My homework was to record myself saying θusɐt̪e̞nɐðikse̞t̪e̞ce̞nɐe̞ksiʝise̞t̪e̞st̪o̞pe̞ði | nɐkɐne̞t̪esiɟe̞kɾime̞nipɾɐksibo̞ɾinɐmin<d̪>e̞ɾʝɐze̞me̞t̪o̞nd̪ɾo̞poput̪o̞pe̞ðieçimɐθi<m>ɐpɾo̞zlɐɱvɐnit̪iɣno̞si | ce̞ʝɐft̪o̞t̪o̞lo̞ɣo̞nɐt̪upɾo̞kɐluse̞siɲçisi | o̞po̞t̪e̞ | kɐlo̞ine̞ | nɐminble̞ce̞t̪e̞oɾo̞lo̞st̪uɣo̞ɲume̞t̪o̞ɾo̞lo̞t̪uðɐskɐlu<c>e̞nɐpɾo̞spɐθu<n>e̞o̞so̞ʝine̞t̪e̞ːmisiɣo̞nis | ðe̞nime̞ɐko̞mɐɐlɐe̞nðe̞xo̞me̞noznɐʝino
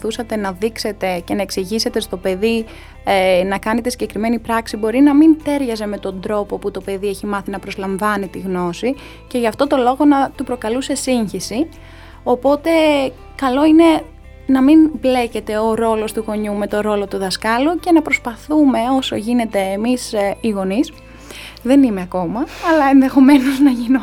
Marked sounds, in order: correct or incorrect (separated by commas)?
incorrect, incorrect, correct, incorrect